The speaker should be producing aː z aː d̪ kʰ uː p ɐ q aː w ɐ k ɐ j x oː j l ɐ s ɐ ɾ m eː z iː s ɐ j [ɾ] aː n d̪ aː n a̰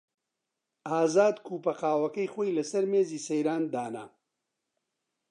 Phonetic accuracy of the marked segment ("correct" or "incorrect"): correct